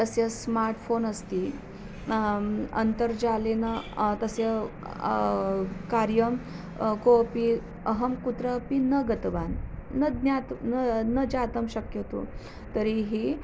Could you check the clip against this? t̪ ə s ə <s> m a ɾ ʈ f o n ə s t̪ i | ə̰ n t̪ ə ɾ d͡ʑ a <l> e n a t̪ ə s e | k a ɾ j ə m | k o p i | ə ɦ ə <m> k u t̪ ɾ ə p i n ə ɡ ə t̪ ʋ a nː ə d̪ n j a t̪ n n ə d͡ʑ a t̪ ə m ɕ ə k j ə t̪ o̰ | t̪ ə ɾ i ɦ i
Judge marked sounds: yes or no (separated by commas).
yes, yes, yes